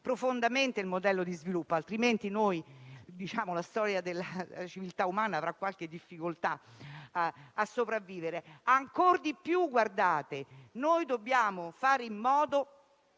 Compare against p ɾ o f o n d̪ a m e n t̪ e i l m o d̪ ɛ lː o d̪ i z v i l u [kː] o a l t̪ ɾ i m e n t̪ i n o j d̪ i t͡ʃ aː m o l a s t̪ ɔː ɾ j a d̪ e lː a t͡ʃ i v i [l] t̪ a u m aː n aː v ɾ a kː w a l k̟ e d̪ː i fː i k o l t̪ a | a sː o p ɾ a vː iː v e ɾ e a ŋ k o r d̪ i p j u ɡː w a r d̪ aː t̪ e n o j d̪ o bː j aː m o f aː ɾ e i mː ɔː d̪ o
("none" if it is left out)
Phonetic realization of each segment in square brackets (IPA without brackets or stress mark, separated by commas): pː, l